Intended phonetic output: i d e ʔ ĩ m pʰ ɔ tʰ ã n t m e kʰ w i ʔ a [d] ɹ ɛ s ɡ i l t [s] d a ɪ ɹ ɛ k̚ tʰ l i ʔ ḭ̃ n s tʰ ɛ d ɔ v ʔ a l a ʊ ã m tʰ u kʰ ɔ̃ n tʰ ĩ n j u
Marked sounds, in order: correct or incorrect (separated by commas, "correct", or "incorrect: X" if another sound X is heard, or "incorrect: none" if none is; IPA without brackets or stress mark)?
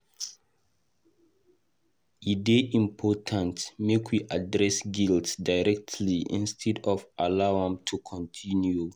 correct, correct